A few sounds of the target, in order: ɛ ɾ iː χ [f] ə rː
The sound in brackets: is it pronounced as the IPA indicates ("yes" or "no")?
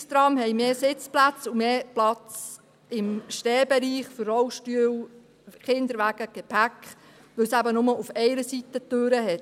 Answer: yes